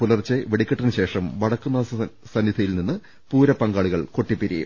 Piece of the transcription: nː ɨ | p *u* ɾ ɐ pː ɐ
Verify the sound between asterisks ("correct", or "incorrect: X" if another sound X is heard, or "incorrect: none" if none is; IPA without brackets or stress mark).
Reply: incorrect: uː